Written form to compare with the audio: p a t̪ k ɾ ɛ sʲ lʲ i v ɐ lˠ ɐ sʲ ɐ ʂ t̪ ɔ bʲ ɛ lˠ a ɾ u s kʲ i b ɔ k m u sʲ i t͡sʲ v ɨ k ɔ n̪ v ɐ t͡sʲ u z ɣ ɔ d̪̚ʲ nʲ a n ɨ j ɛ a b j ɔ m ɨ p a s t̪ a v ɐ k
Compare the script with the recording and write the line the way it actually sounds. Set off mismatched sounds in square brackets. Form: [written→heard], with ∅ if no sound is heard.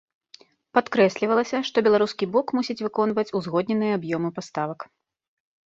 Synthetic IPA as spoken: p a t̪ k ɾ ɛ sʲ lʲ i v ɐ lˠ ɐ sʲ ɐ ʂ t̪ ɔ bʲ ɛ lˠ a ɾ u s kʲ i b ɔ k m u sʲ i t͡sʲ v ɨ k ɔ n̪ v ɐ t͡sʲ u z ɣ ɔ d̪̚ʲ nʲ [a→ɛ] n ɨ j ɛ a b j ɔ m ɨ p a s t̪ a v ɐ k